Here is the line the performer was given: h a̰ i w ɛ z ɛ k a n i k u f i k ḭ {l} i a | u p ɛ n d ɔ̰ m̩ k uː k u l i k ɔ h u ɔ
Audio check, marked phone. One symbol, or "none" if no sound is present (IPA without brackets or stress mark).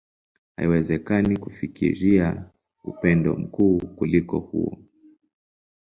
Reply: ɾ